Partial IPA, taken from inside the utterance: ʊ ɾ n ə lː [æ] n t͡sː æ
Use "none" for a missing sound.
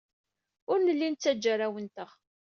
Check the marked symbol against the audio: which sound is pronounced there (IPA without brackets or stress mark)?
i